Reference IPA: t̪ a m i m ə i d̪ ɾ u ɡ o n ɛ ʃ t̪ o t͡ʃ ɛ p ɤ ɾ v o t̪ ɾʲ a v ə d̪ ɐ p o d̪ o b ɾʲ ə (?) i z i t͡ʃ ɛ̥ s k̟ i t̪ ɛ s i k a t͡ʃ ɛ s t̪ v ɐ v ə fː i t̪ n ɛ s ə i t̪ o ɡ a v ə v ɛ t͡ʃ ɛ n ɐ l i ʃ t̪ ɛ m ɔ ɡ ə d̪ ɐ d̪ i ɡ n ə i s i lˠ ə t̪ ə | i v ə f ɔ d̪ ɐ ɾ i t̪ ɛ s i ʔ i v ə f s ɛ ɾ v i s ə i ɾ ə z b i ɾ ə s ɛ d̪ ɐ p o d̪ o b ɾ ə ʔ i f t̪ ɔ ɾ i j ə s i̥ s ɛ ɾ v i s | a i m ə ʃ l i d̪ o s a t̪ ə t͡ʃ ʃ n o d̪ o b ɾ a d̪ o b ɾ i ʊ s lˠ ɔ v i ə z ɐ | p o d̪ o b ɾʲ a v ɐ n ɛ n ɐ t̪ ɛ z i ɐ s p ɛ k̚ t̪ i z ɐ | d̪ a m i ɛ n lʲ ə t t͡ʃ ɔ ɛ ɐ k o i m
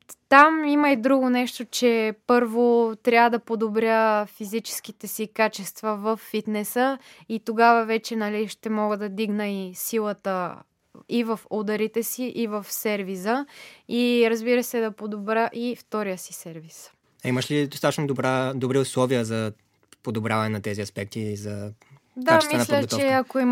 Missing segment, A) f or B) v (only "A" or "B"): A